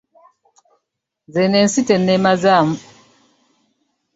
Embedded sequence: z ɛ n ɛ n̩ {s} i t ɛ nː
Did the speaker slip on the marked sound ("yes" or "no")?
no